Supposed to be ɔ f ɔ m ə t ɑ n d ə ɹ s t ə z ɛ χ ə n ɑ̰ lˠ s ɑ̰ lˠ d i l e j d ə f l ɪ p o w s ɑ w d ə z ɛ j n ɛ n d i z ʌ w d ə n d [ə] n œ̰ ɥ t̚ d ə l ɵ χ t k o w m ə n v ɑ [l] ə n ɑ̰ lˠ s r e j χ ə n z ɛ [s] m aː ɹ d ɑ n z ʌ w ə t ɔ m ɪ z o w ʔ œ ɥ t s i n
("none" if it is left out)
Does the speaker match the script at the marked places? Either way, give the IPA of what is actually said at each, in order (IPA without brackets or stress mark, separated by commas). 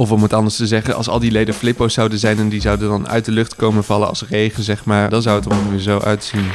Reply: ɑ, l, χ